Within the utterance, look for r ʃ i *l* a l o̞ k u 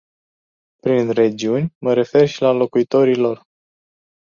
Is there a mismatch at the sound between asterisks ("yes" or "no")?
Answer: no